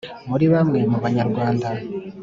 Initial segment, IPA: m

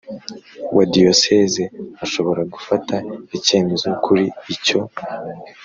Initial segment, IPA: w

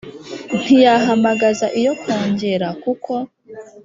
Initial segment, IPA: n̥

